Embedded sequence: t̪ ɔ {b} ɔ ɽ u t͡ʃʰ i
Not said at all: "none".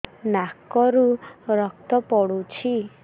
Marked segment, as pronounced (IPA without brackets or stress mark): p